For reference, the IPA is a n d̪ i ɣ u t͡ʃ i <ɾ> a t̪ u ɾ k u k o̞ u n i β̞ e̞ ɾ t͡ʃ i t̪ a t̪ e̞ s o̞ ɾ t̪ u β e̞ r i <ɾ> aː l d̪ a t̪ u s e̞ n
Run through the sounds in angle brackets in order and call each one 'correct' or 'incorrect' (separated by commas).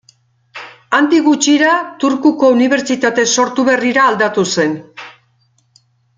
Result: correct, correct